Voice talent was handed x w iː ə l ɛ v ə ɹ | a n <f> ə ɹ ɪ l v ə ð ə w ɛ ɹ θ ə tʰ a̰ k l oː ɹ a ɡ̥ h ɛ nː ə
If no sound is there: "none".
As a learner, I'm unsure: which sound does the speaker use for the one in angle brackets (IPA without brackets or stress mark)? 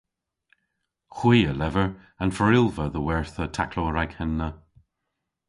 f